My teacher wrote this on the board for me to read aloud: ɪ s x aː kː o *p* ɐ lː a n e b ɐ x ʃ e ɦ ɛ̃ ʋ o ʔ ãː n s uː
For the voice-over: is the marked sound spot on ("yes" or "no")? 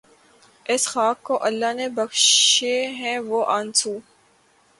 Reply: no